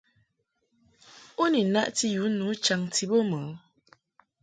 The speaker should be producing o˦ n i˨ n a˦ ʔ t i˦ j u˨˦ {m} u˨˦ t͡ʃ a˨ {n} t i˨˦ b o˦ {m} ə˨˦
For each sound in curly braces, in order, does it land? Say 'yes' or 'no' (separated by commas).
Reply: no, no, yes